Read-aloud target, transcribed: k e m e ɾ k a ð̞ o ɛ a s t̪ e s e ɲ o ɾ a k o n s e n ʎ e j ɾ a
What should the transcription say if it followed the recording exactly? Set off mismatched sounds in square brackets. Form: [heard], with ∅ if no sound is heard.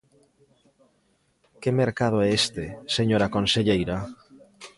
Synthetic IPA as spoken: k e m e ɾ k a ð̞ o ɛ [e] s t̪ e s e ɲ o ɾ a k o n s e [∅] ʎ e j ɾ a